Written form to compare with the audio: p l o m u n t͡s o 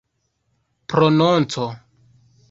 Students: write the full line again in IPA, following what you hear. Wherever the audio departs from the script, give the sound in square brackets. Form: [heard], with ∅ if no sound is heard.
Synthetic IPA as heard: p [ɾ] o [n] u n t͡s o